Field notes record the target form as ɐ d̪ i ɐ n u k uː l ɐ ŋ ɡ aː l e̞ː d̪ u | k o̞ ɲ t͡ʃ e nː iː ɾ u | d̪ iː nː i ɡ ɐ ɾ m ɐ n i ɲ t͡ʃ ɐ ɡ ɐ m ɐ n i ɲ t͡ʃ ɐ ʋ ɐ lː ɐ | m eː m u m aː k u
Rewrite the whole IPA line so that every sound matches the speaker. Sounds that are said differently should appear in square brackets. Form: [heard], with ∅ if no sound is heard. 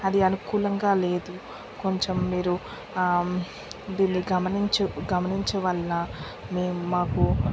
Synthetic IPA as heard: ɐ d̪ i ɐ n u k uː l ɐ ŋ ɡ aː l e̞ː d̪ u | k o̞ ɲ t͡ʃ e [mː] iː ɾ u | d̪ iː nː i ɡ ɐ [∅] m ɐ n i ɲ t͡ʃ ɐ ɡ ɐ m ɐ n i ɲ t͡ʃ ɐ ʋ ɐ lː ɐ | m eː m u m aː k u